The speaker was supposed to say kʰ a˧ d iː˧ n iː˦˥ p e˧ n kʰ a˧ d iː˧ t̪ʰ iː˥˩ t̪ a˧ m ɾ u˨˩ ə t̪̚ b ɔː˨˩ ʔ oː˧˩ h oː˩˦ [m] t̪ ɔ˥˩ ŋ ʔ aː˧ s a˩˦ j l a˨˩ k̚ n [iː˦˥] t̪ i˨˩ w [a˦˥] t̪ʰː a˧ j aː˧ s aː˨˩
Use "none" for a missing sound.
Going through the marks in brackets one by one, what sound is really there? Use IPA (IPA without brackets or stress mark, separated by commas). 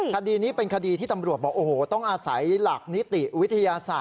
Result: none, i˦˥, i˦˥